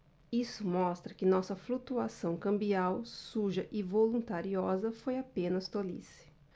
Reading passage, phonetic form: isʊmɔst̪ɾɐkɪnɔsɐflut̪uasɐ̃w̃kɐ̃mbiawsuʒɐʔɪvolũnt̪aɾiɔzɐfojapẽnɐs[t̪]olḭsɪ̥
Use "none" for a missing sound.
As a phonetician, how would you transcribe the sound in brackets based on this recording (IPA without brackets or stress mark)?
t̪